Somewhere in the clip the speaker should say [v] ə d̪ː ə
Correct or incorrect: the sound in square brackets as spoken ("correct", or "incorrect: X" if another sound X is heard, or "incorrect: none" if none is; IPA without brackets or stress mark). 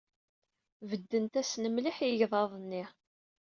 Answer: correct